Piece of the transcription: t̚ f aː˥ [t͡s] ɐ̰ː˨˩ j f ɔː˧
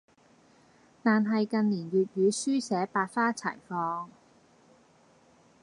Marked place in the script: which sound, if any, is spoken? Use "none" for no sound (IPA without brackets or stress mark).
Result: t͡sʰ